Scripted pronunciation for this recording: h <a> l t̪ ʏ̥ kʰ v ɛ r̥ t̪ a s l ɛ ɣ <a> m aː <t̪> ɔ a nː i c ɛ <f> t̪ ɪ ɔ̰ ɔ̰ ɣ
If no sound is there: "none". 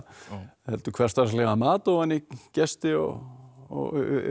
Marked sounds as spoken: ɛ, a, t̪, s

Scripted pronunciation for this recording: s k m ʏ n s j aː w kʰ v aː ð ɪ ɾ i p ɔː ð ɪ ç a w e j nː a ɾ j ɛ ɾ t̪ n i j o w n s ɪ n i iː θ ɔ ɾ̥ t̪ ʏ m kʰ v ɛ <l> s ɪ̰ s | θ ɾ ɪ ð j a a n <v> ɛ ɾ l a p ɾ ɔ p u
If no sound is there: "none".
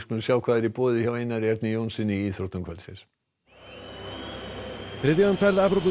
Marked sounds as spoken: l, f

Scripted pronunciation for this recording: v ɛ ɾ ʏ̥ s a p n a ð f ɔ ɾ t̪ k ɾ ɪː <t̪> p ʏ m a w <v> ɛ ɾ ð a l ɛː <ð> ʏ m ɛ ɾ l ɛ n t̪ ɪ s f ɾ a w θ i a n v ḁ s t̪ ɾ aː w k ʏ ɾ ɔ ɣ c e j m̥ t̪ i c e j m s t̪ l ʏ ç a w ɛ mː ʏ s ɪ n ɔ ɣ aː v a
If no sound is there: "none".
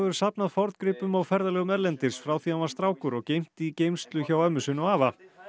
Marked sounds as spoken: none, f, ɣ

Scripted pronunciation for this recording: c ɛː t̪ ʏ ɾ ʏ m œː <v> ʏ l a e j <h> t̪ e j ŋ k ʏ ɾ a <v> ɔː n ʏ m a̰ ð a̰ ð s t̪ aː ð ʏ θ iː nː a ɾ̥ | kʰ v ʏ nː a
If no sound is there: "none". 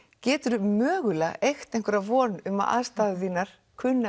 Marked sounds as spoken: ɣ, x, v

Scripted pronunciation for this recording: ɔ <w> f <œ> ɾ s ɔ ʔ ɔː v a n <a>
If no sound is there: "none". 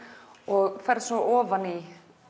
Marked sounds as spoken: ɣ, ɛ, i

